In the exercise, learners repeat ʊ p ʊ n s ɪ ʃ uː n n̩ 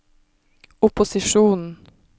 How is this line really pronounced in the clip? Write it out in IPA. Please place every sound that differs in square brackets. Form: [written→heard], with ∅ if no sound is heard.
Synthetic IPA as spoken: ʊ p ʊ [n→∅] s ɪ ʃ uː n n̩